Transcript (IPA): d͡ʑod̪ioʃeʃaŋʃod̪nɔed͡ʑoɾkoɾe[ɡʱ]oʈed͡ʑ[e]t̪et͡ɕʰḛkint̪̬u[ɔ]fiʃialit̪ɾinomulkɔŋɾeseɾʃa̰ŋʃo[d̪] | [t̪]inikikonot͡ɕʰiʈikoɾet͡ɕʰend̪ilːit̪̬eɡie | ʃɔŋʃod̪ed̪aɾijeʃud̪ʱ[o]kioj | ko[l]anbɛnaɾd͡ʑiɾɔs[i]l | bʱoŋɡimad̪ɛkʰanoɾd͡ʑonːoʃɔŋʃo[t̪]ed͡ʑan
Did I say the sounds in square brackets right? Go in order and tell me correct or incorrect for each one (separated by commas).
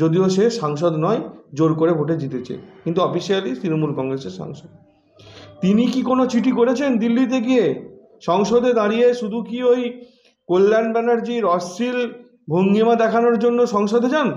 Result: incorrect, incorrect, correct, correct, correct, incorrect, incorrect, correct, incorrect